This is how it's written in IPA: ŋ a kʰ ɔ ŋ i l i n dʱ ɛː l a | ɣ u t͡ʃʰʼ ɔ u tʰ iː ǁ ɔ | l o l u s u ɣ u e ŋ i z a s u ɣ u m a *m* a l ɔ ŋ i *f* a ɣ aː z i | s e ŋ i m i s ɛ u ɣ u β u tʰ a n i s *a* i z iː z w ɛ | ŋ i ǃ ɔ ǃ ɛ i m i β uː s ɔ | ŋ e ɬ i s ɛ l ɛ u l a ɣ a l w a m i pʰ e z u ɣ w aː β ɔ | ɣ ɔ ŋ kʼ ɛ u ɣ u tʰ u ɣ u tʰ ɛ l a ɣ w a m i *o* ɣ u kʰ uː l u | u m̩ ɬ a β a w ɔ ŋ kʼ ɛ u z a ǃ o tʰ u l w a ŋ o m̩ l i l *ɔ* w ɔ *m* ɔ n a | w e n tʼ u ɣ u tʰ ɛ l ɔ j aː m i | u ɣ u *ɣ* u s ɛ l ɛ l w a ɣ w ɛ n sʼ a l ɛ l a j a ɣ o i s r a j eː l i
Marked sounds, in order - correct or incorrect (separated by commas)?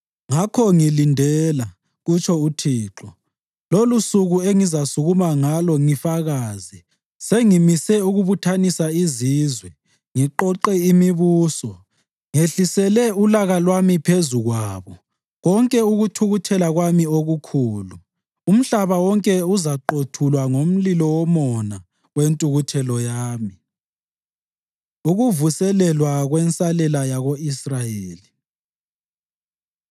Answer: incorrect, correct, correct, correct, correct, correct, incorrect